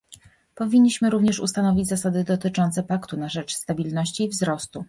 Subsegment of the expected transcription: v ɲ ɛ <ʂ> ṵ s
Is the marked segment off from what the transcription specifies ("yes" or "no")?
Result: no